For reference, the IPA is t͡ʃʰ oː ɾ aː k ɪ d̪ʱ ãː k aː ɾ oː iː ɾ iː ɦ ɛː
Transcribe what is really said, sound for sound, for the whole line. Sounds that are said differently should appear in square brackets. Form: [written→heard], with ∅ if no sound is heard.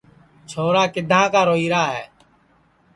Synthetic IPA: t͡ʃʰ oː ɾ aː k ɪ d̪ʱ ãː k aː ɾ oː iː ɾ [iː→aː] ɦ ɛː